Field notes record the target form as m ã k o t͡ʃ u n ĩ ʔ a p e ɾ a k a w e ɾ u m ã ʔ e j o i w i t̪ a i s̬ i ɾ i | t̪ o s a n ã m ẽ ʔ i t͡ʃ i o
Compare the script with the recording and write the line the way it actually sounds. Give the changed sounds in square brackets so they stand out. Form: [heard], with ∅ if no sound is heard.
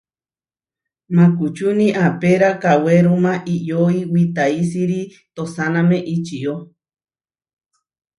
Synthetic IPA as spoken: m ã k [u] t͡ʃ u n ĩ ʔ a p e ɾ a k a w e ɾ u m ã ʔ [i] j o i w i t̪ a i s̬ i ɾ i | t̪ o s a n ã m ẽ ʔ i t͡ʃ i o